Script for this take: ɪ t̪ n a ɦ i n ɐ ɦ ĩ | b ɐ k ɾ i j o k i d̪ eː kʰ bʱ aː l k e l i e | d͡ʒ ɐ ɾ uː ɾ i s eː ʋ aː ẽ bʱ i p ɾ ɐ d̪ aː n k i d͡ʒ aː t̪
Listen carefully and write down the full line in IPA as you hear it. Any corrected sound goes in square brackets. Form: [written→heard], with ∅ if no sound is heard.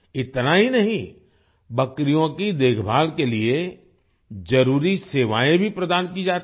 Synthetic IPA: ɪ t̪ n a ɦ i n ɐ ɦ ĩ | b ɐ k ɾ i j [o→õ] k i d̪ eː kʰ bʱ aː l k e l i e | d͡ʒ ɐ ɾ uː ɾ i s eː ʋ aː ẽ bʱ i p ɾ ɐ d̪ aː n k i d͡ʒ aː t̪

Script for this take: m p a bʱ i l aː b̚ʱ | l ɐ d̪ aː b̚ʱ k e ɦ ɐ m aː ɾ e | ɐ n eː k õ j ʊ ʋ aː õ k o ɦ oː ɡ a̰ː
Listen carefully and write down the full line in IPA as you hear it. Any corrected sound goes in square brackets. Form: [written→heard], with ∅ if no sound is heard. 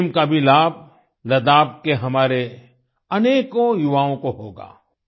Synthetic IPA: m [p→k] a bʱ i l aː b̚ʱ | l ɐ d̪ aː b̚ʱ k e ɦ ɐ m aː ɾ e | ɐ n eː k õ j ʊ ʋ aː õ k o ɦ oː ɡ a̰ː

